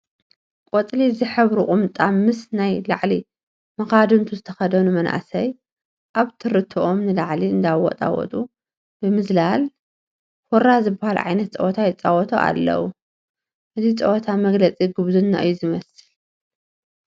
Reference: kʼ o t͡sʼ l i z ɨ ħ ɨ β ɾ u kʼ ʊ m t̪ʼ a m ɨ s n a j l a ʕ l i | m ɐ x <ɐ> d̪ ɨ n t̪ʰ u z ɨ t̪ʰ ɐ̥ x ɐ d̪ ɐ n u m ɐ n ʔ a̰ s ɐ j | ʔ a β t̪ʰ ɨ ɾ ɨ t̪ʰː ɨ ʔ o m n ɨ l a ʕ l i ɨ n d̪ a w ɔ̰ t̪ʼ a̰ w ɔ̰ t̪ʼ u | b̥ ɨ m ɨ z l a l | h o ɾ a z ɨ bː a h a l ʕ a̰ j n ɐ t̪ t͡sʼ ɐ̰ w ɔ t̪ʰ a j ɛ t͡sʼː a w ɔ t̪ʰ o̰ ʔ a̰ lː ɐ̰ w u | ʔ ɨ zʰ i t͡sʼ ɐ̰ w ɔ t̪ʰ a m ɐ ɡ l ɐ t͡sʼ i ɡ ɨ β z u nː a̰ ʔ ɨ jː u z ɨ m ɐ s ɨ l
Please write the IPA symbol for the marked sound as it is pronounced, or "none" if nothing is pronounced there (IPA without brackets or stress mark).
a